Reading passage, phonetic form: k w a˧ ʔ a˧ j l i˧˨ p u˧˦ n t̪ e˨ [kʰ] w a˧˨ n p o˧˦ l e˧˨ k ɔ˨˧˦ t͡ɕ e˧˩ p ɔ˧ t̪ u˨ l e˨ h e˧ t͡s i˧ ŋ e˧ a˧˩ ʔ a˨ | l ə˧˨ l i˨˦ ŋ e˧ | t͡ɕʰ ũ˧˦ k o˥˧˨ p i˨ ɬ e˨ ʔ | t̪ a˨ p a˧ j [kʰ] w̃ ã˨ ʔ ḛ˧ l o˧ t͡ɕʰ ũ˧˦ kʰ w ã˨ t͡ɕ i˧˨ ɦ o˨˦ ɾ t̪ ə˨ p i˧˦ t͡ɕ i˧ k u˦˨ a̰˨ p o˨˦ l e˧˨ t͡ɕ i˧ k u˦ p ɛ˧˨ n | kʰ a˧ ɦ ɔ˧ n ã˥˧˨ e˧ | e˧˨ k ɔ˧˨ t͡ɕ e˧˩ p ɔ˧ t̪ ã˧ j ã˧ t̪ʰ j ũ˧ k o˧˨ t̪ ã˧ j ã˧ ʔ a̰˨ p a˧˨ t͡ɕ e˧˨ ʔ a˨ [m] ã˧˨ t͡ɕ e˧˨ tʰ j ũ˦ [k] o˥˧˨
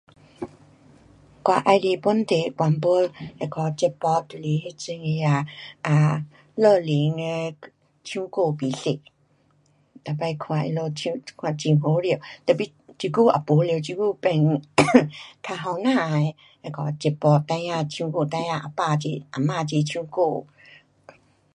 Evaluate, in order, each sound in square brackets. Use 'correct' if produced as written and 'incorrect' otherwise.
incorrect, correct, correct, correct

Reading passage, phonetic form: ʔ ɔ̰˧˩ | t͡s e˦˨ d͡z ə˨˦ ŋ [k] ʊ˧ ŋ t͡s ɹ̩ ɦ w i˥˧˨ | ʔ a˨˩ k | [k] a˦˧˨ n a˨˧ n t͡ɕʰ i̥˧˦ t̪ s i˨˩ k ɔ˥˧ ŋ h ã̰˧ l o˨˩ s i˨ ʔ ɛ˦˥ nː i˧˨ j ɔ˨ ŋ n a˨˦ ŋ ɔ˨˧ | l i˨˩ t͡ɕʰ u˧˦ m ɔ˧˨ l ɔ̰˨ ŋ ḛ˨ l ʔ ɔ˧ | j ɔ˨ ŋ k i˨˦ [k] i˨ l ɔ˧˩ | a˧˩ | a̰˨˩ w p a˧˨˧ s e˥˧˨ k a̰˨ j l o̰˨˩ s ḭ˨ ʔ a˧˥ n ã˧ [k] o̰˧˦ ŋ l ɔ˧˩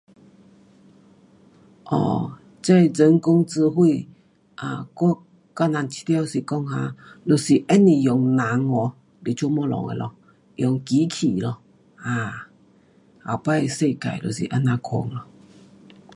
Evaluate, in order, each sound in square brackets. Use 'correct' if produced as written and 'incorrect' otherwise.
correct, correct, incorrect, incorrect

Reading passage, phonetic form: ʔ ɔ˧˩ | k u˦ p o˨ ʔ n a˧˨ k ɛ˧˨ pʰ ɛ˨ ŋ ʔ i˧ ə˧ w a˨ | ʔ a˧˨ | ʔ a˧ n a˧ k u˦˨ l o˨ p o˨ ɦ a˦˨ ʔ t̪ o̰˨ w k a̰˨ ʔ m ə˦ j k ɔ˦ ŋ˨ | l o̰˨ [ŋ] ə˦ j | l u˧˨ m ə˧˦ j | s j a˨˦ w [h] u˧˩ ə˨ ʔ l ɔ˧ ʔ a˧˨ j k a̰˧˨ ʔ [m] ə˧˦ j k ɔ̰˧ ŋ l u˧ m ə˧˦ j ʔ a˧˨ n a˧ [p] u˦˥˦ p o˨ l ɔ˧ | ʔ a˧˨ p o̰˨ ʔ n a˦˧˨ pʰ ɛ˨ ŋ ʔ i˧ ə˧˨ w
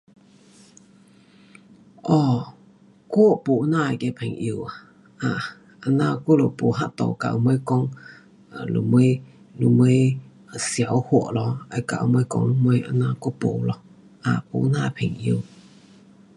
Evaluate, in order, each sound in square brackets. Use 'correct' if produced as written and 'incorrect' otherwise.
incorrect, correct, correct, incorrect

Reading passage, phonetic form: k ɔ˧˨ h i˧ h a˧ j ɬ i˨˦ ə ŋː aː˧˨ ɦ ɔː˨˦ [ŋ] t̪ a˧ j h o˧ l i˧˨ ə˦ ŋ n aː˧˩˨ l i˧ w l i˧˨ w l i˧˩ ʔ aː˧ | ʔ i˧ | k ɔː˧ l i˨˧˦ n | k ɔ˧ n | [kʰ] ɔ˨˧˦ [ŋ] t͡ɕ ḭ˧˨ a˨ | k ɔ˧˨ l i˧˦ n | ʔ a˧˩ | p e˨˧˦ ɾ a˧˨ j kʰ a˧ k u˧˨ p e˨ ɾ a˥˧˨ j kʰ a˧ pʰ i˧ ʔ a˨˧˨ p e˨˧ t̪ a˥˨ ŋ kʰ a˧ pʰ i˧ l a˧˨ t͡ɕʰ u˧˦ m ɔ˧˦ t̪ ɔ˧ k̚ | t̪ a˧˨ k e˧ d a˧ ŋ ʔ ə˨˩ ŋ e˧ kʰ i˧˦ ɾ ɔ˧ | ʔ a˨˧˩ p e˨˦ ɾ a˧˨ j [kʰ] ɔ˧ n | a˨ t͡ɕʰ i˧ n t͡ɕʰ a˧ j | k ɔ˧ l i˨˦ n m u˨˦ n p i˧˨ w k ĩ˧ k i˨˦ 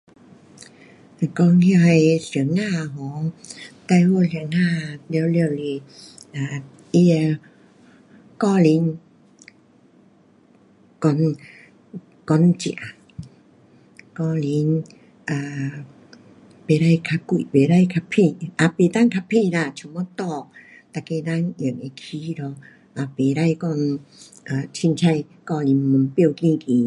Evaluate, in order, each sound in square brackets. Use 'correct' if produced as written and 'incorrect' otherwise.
correct, incorrect, incorrect, incorrect

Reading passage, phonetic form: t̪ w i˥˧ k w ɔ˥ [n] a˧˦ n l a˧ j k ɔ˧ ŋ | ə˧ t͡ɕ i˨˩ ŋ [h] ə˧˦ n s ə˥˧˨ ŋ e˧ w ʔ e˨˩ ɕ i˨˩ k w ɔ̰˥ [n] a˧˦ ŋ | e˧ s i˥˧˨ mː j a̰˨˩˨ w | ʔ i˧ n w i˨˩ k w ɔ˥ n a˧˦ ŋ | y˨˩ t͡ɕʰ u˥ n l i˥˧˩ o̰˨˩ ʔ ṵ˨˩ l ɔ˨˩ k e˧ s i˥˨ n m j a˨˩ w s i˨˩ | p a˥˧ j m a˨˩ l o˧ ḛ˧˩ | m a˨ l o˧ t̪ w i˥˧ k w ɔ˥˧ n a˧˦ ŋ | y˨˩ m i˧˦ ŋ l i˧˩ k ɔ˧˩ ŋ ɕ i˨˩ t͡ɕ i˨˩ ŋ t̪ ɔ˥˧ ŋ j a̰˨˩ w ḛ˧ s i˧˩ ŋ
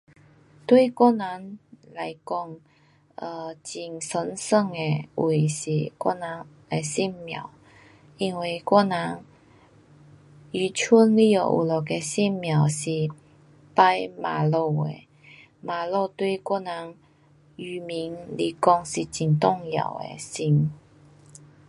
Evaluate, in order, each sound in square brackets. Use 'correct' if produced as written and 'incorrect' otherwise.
correct, incorrect, correct

